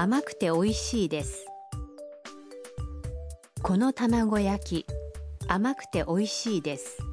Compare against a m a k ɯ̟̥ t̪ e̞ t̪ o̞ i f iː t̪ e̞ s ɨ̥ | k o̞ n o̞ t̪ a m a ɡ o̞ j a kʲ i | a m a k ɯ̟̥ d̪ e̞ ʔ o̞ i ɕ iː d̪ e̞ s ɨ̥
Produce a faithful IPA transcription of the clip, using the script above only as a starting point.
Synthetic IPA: a m a k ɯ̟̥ t̪ e̞ o̞ i ɕ iː d̪ e̞ s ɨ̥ | k o̞ n o̞ t̪ a m a ɡ o̞ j a kʲ i | a m a k ɯ̟̥ t̪ e̞ ʔ o̞ i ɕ iː d̪ e̞ s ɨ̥